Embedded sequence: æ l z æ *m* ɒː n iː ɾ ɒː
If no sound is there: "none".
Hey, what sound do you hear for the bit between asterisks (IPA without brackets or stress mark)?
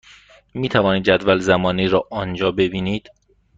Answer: m